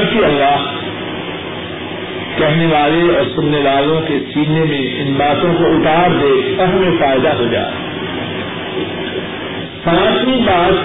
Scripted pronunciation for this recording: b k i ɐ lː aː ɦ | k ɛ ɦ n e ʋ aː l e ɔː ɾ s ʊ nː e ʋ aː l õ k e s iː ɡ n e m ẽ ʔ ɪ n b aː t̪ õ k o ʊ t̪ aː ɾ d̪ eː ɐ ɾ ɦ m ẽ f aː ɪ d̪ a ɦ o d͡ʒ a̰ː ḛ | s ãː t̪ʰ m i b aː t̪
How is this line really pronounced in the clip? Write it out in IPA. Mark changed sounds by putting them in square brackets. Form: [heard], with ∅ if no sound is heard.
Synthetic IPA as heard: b k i ɐ lː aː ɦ | k ɛ ɦ n e ʋ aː l e ɔː ɾ s ʊ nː e ʋ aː l õ k e s iː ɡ n e m ẽ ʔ ɪ n b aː t̪ õ k o ʊ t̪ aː ɾ d̪ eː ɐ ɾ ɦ m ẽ f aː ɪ d̪ a ɦ o d͡ʒ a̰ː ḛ | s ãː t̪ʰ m i b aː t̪